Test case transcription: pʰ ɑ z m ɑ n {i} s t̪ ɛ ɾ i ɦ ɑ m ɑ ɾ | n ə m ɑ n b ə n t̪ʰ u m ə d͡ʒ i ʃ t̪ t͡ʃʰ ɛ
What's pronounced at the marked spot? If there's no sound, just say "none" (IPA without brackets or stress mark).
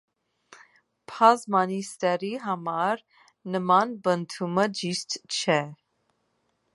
i